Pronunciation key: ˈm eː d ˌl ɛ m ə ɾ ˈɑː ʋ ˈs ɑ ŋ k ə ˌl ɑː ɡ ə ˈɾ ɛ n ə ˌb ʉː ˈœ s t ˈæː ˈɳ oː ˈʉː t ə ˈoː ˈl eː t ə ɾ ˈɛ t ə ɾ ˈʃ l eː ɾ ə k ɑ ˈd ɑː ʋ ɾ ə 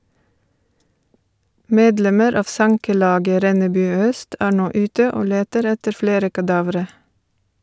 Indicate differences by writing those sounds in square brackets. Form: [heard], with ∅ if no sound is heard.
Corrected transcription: ˈm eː d ˌl ɛ m ə ɾ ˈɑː ʋ ˈs ɑ ŋ k ə ˌl ɑː ɡ ə ˈɾ ɛ n ə ˌb ʉː ˈœ s t ˈæː ˈɳ oː ˈʉː t ə ˈoː ˈl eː t ə ɾ ˈɛ t ə ɾ [ˈf] l eː ɾ ə k ɑ ˈd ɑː ʋ ɾ ə